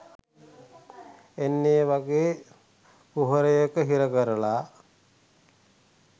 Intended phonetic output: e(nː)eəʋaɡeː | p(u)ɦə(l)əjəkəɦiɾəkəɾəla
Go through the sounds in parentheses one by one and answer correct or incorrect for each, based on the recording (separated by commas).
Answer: correct, correct, incorrect